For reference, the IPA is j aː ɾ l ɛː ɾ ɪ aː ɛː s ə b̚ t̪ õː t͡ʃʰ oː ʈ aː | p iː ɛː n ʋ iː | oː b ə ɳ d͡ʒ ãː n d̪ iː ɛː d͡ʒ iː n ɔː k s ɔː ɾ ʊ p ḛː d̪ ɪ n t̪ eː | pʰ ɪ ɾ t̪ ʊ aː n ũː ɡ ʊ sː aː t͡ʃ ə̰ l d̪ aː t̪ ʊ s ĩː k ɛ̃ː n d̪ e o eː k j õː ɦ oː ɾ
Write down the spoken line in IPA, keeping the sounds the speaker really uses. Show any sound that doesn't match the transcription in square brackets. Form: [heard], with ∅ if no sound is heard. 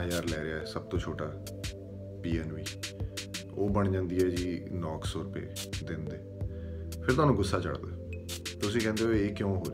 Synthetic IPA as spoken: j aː ɾ l ɛː ɾ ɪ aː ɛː s ə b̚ t̪ õː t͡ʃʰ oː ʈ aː | p iː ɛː n ʋ iː | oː b ə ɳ d͡ʒ ãː n d̪ iː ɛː d͡ʒ iː n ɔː k s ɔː ɾ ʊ p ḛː d̪ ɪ n [d̪] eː | pʰ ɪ ɾ t̪ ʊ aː n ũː ɡ ʊ sː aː t͡ʃ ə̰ [ɽ] d̪ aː t̪ ʊ s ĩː k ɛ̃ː n d̪ e o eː k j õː ɦ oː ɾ